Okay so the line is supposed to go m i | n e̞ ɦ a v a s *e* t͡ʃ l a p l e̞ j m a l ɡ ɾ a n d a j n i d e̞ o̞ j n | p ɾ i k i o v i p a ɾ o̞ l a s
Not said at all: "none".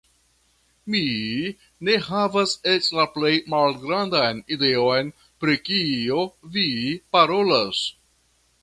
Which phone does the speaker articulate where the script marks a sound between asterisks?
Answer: e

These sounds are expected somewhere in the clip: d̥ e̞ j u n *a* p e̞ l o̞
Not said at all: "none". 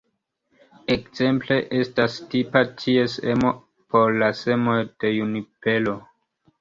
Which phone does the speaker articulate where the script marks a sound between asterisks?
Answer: i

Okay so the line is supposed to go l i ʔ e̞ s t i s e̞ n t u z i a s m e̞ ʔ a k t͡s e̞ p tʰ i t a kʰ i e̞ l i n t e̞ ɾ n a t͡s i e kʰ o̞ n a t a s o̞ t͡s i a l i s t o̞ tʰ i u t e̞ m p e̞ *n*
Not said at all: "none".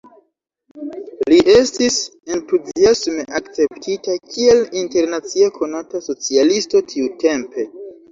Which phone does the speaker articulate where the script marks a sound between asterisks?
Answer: none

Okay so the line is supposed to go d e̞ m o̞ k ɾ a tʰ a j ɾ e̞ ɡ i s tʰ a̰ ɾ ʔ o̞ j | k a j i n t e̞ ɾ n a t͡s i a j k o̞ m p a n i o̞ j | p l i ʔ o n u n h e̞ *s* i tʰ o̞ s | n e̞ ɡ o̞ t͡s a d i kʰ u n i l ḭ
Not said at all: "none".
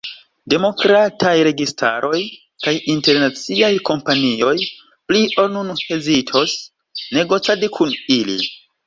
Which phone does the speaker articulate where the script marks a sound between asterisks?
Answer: z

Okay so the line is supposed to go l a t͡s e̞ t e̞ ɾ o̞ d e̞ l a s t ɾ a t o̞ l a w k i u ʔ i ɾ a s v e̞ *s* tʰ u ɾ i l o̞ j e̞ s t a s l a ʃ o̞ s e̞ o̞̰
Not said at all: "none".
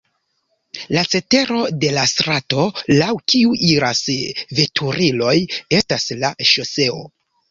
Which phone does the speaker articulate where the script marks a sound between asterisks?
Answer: none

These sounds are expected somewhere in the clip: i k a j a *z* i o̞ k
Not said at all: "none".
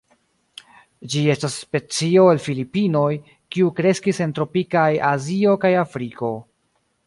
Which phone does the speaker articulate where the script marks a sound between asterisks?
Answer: z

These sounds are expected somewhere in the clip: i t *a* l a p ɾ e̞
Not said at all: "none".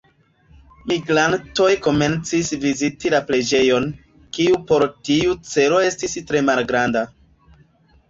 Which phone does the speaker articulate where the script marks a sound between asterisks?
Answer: i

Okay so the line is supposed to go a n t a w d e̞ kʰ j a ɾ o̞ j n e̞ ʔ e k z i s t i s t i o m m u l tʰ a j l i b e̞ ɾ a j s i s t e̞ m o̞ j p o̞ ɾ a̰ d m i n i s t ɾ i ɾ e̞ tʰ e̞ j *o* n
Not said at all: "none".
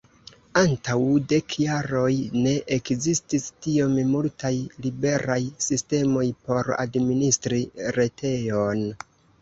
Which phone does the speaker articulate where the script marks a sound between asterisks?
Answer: o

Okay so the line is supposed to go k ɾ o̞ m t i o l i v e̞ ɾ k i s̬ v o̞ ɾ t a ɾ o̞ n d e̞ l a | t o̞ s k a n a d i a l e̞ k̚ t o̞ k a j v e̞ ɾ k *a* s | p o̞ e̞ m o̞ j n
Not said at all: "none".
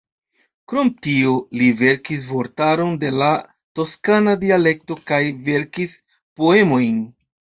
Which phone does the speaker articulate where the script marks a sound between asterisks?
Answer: i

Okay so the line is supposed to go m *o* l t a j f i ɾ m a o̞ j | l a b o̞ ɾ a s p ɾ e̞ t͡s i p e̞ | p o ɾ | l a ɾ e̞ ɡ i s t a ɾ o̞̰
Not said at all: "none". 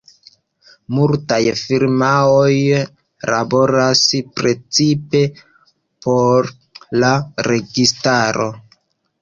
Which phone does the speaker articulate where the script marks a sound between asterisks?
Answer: u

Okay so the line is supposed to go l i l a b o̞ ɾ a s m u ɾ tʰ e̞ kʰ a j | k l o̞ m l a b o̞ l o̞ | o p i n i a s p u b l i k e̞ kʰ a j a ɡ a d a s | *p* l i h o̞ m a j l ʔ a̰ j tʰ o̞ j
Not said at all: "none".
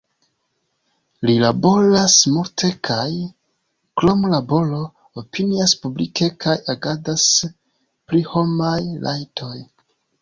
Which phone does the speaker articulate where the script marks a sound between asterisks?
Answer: p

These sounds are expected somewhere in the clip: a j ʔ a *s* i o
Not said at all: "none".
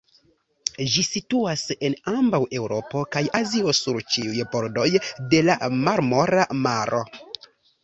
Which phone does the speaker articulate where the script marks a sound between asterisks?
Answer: z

